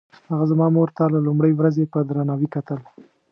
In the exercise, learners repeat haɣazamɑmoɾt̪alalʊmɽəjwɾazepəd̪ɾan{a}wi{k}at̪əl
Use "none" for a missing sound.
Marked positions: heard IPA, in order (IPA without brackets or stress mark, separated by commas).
ɑ, k